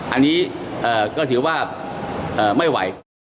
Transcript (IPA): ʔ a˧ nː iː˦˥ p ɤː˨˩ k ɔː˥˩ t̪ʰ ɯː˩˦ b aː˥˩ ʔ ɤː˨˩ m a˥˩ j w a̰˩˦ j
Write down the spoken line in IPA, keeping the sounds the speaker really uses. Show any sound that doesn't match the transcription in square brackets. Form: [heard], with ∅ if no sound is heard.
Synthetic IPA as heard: ʔ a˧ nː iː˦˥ [ʔ] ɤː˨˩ k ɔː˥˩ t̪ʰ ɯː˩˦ [w] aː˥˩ ʔ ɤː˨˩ m a˥˩ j w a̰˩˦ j